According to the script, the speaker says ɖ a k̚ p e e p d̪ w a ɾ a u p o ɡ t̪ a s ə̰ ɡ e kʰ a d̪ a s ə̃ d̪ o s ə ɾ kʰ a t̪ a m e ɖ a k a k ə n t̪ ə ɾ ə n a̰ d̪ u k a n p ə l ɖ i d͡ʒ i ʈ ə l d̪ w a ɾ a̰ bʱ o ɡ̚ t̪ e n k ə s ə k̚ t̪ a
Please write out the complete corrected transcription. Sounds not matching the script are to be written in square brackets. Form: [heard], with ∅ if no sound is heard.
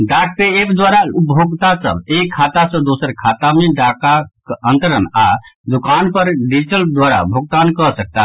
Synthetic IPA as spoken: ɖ a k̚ p e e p d̪ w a ɾ a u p o ɡ t̪ a s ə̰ [b] e kʰ a [t̪] a s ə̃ d̪ o s ə ɾ kʰ a t̪ a m e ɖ a k a k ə n t̪ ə ɾ ə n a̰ d̪ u k a n p ə [ɾ] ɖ i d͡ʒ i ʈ ə l d̪ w a ɾ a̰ bʱ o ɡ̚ t̪ [a] n k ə s ə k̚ t̪ a

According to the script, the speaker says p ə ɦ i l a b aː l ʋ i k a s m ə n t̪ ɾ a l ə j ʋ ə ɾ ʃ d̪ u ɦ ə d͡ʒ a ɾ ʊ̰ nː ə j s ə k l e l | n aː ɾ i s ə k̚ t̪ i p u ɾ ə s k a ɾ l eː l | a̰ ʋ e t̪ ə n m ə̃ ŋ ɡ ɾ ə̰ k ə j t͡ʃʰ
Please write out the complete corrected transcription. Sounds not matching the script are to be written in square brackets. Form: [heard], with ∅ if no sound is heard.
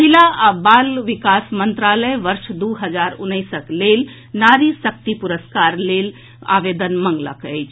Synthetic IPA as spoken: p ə ɦ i l a b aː l ʋ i k a s m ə n t̪ ɾ a l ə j ʋ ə ɾ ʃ d̪ u ɦ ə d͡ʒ a ɾ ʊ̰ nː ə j s ə k l e l | n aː ɾ i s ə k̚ t̪ i p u ɾ ə s k a ɾ l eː l | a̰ ʋ e [d̪] ə n m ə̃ ŋ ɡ [l] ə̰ k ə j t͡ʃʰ

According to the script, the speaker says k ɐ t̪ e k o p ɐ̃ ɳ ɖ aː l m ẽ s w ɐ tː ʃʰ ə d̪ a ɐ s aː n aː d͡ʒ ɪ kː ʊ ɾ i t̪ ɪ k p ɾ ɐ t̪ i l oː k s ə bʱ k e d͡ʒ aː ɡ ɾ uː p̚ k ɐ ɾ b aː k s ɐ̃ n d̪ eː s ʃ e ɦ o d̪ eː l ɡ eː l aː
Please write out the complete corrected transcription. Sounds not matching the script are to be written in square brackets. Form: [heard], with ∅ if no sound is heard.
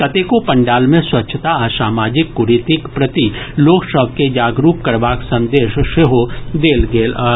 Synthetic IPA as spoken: k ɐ t̪ e k o p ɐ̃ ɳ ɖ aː l m ẽ s w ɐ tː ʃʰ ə [t̪] a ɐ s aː [m] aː d͡ʒ ɪ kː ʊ ɾ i t̪ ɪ k p ɾ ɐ t̪ i l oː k s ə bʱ k e d͡ʒ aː ɡ ɾ uː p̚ k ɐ ɾ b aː k s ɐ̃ n d̪ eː [ʃ] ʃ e ɦ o d̪ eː l ɡ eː l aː

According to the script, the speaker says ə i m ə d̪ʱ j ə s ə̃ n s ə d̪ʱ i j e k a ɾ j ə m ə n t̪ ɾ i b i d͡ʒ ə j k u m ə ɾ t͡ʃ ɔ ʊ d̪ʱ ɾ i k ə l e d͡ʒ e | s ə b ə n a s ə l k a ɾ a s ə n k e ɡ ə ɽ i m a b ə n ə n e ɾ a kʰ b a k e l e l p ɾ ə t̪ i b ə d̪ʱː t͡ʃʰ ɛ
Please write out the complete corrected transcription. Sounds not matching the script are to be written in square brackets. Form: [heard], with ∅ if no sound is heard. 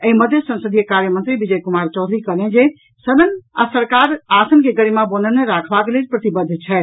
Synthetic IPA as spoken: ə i m ə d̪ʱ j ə s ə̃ n s ə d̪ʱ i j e k a ɾ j ə m ə n t̪ ɾ i b i d͡ʒ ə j k u m [a] ɾ t͡ʃ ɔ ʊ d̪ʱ ɾ i k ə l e d͡ʒ e | s ə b ə n a s ə [ɾ] k a ɾ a s ə n k e ɡ ə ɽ i m a b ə n ə n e ɾ a kʰ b a k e l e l p ɾ ə t̪ i b ə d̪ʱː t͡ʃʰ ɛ

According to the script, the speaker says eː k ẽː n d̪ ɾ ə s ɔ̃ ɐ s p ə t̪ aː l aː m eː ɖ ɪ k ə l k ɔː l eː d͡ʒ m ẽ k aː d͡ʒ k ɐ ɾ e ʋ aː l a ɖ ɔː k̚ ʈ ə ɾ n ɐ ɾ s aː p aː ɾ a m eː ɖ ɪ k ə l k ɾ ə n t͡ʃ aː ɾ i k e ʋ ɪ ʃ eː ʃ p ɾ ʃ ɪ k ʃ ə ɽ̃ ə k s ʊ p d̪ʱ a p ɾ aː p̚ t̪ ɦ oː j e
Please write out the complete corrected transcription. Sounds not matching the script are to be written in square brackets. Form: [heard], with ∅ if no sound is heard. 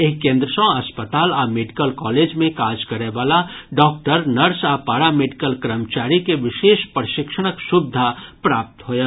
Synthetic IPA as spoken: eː k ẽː n d̪ ɾ ə s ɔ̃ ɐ s p ə t̪ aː l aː m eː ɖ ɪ k ə l k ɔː l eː d͡ʒ m ẽ k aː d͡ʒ k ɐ ɾ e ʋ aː l a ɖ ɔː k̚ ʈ ə ɾ n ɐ ɾ s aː p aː ɾ a m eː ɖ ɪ k ə l k ɾ ə [m] t͡ʃ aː ɾ i k e ʋ ɪ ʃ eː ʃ p ɾ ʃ ɪ k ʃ ə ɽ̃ ə k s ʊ [b] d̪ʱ a p ɾ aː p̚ t̪ ɦ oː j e

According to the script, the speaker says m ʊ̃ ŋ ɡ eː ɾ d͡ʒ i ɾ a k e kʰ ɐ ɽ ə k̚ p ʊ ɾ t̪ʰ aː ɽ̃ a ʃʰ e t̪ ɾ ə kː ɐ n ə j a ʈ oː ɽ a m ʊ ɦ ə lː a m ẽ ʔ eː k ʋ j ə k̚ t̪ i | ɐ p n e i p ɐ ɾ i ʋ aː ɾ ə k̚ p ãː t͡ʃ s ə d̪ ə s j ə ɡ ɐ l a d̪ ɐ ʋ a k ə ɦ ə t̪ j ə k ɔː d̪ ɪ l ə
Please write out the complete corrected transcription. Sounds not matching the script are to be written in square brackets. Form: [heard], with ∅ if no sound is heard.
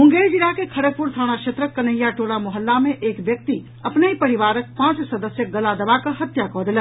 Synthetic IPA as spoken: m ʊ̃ ŋ ɡ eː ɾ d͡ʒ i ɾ a k e kʰ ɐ ɽ ə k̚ p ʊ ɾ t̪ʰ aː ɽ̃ a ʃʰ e t̪ ɾ ə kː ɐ n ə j a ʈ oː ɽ a m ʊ ɦ ə lː a m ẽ ʔ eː k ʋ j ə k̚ t̪ i | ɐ p n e i p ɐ ɾ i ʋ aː ɾ ə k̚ p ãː t͡ʃ s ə d̪ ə s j ə ɡ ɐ l a d̪ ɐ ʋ a k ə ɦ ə t̪ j [a] k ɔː d̪ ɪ l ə

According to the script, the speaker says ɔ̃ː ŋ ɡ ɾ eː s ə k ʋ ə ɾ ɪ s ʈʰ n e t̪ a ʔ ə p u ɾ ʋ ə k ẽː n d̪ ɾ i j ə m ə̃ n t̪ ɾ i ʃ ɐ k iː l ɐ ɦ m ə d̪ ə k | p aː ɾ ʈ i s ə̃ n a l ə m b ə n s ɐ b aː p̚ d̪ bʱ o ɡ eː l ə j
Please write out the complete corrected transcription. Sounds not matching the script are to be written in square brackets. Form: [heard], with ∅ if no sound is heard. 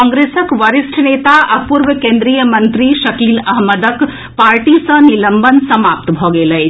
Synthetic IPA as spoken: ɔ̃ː ŋ ɡ ɾ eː s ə k ʋ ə ɾ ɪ s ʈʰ n e t̪ a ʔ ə p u ɾ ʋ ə k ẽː n d̪ ɾ i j ə m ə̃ n t̪ ɾ i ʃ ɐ k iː l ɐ ɦ m ə d̪ ə k | p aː ɾ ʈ i s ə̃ n [i] l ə m b ə n s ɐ [m] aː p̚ [t̪] bʱ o ɡ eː l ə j

